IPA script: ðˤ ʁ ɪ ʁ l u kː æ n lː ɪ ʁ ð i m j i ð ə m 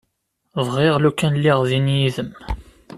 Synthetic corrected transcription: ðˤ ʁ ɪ ʁ l u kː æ n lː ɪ ʁ ð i n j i ð ə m